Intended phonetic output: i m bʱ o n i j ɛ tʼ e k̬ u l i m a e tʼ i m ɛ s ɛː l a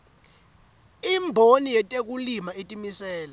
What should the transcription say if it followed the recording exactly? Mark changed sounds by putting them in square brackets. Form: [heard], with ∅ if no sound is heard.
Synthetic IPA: i m bʱ o n i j ɛ tʼ e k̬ u l i m a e tʼ i m [i] s ɛː l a